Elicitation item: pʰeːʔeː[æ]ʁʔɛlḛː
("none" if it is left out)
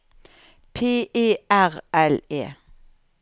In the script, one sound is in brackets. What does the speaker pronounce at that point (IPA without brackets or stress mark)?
æ